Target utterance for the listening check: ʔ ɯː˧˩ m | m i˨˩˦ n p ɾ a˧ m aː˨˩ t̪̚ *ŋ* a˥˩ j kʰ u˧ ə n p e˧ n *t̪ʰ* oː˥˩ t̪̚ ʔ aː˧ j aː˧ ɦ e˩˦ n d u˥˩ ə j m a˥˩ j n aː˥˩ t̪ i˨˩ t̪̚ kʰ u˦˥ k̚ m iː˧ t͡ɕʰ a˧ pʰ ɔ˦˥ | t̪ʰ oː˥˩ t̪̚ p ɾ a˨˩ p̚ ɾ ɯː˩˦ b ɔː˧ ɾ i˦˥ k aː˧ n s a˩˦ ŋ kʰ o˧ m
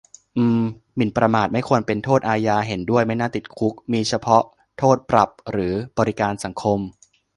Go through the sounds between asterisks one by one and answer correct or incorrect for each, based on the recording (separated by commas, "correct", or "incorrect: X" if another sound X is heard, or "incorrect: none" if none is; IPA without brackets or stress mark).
incorrect: m, correct